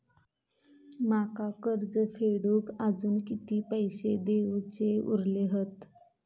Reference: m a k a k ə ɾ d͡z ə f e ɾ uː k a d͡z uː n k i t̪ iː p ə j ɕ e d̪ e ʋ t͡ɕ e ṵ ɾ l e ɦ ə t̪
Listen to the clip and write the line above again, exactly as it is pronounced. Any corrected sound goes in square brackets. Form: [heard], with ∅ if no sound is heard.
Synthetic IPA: m a k a k ə ɾ d͡z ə f e [ɽ] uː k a d͡z uː n k i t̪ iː p ə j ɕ e d̪ e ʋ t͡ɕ e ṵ ɾ l e ɦ ə t̪

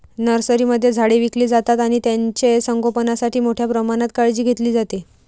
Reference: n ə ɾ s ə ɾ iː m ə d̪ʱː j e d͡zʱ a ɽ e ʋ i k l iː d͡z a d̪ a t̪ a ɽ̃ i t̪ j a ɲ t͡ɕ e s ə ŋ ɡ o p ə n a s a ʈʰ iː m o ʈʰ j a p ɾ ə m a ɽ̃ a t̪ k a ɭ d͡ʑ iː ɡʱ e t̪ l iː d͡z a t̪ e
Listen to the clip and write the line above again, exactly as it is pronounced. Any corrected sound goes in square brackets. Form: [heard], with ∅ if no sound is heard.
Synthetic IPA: n ə ɾ s ə ɾ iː m ə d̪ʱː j e d͡zʱ a ɽ e ʋ i k l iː d͡z a [t̪] a t̪ a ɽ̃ i t̪ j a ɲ t͡ɕ e s ə ŋ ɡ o p ə n a s a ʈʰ iː m o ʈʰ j a p ɾ ə m a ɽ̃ a t̪ k a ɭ d͡ʑ iː ɡʱ e t̪ l iː d͡z a t̪ e

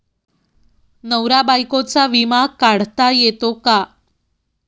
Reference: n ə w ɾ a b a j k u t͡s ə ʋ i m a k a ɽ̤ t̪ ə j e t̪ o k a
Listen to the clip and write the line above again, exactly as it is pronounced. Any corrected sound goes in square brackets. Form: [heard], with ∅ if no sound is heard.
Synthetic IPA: n ə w ɾ a b a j k [o] t͡s [a] ʋ i m a k a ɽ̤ t̪ [a] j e t̪ o k a

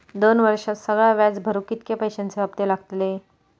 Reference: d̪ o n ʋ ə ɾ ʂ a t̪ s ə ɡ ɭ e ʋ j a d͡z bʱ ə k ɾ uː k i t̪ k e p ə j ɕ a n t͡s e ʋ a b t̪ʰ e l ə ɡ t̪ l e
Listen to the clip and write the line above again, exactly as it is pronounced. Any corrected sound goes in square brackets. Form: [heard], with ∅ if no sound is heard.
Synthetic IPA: d̪ o n ʋ ə ɾ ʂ a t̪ s ə ɡ ɭ [a] ʋ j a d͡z bʱ ə [∅] ɾ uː k i t̪ k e p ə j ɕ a n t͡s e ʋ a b [t̪] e l [a] ɡ t̪ l e

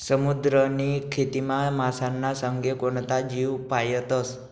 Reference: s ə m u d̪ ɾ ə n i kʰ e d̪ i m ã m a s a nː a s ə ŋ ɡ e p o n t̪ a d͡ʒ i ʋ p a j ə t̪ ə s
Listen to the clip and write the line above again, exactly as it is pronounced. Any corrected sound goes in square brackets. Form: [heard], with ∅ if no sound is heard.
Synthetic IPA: s ə m u d̪ ɾ ə n i kʰ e [t̪] i m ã m a s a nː a s ə ŋ ɡ e [k] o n t̪ a d͡ʒ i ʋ p a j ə t̪ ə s

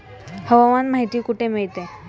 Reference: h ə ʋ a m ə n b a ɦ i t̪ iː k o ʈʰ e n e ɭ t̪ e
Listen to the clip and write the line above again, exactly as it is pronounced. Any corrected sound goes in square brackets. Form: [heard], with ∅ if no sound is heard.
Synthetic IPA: h ə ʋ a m [a] n [m] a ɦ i t̪ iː k [u] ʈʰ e [m] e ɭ t̪ e

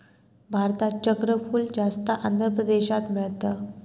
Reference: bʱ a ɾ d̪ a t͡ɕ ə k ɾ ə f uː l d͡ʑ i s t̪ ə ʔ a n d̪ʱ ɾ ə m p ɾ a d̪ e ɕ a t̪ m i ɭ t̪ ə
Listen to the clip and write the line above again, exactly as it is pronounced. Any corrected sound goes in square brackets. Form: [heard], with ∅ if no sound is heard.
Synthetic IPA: bʱ a ɾ [t̪] a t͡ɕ ə k ɾ ə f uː l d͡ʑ [a] s t̪ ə ʔ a n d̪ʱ ɾ ə [∅] p ɾ [ə] d̪ e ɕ a t̪ m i ɭ t̪ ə

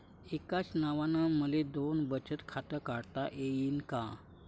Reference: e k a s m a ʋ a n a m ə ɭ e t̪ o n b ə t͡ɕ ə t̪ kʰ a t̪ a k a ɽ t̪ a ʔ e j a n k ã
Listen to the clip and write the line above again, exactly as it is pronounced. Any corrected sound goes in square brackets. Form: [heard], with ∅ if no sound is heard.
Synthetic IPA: e k a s [n] a ʋ a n a m ə [l] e [d̪] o n b ə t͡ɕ ə t̪ kʰ a t̪ [ə] k a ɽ t̪ a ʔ e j [i] n k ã

